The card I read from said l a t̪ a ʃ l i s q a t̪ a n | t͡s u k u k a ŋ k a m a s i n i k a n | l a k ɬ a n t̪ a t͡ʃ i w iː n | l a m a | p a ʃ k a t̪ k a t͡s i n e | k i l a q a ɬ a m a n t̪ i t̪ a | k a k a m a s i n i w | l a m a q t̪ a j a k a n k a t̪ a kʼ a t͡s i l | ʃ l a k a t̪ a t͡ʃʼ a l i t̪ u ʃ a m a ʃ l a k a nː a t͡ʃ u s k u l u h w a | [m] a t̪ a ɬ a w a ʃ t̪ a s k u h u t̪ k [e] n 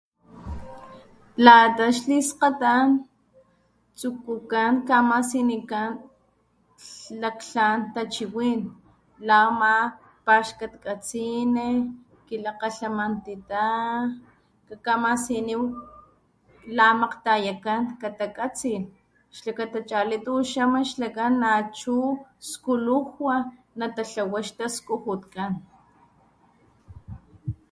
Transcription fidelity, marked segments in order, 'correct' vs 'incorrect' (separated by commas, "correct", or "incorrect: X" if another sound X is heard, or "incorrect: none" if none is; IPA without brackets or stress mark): incorrect: n, incorrect: a